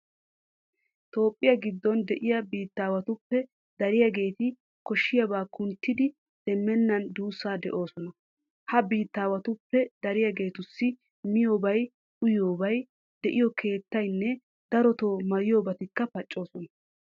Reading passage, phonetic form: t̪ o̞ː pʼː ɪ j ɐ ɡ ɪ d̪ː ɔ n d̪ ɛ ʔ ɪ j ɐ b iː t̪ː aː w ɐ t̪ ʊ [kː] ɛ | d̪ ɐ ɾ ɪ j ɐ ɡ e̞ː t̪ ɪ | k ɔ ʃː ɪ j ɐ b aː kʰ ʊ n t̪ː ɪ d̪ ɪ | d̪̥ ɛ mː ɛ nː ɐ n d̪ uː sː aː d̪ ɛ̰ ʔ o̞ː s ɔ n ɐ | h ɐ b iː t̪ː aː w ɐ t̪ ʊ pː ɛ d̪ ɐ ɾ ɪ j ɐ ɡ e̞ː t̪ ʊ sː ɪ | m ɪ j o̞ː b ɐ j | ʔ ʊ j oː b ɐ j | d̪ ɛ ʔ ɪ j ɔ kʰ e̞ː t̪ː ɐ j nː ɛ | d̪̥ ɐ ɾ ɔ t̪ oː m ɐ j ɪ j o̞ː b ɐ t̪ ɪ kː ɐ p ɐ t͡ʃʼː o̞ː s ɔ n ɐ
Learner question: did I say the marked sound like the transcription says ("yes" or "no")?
no